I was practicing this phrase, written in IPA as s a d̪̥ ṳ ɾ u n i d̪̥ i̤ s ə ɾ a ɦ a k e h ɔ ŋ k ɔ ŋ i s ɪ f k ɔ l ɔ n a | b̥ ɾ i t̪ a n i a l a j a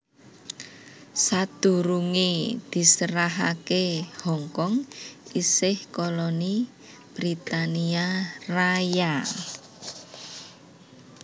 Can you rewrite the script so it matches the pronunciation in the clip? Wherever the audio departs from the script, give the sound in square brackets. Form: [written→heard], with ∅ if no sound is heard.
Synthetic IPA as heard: s a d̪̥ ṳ ɾ u [n→ŋ] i d̪̥ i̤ s ə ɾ a ɦ a k e h ɔ ŋ k ɔ ŋ i s ɪ [f→h] k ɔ l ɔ n [a→i] | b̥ ɾ i t̪ a n i a [l→r] a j a